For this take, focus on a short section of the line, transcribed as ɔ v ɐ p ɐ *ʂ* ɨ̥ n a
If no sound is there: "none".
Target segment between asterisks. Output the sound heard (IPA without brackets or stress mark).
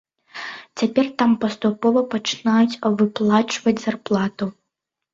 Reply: t͡ʂ